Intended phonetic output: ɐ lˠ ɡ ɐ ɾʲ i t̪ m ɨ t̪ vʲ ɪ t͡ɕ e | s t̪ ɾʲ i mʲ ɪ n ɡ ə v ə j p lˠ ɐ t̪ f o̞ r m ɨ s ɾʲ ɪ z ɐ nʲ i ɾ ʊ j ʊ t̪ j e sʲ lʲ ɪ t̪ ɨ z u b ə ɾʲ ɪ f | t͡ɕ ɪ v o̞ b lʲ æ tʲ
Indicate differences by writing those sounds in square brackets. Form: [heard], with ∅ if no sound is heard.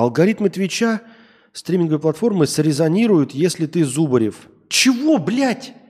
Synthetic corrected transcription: ɐ lˠ ɡ ɐ ɾʲ i t̪ m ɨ t̪ vʲ ɪ t͡ɕ [a] | s t̪ ɾʲ i mʲ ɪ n ɡ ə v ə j p lˠ ɐ t̪ f o̞ r m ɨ s ɾʲ ɪ z ɐ nʲ i ɾ ʊ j ʊ t̪ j e sʲ lʲ ɪ t̪ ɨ z u b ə ɾʲ ɪ f | t͡ɕ ɪ v o̞ b lʲ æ tʲ